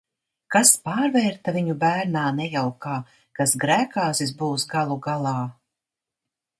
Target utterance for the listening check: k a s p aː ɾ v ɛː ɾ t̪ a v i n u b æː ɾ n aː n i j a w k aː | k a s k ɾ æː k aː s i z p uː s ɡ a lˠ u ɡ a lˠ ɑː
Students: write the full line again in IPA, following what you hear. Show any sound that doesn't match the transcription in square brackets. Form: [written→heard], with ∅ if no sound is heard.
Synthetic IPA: k a s p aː ɾ v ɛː ɾ t̪ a v i [n→ɲ] u b æː ɾ n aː n [i→ɛ] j a w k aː | k a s [k→ɡ] ɾ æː k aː s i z [p→b] uː s ɡ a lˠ u ɡ a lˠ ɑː